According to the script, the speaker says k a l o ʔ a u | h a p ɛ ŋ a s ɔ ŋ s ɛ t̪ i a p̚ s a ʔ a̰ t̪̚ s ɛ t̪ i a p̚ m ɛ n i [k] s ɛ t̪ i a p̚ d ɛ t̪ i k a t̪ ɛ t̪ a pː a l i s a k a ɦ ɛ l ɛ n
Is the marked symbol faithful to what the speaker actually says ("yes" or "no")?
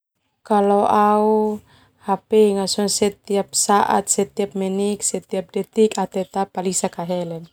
yes